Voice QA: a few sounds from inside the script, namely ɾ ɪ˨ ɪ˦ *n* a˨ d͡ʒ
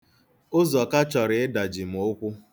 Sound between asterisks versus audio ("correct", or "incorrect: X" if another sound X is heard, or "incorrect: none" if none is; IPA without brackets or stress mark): incorrect: d